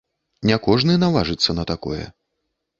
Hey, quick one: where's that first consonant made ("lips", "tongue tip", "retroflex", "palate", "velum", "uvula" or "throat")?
tongue tip